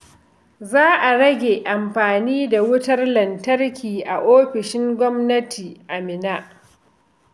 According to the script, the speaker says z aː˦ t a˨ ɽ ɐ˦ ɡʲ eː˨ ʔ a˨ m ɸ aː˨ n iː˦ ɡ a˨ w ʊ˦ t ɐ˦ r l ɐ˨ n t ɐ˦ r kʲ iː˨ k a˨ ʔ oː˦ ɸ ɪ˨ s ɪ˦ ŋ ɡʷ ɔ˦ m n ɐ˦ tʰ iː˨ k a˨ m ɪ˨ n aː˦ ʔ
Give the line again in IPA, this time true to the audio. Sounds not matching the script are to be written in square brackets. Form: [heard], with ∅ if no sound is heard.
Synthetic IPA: z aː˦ [ʔ] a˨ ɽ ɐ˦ ɡʲ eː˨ ʔ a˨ m ɸ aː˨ n iː˦ [d] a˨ w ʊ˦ t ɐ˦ r l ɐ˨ n t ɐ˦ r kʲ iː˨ [ʔ] a˨ ʔ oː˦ ɸ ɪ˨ [ʃ] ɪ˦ ŋ ɡʷ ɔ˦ m n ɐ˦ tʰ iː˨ [ʔ] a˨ m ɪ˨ n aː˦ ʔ